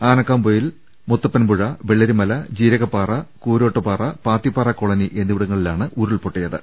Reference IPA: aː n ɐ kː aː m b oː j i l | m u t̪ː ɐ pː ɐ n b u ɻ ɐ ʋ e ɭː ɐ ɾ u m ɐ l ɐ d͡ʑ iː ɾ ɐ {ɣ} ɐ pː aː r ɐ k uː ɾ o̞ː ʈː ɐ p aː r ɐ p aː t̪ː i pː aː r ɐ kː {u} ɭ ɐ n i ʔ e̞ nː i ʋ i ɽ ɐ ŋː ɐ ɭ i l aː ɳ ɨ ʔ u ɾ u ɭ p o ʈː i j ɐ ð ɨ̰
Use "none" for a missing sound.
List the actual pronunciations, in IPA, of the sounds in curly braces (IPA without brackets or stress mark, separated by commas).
ɣ, o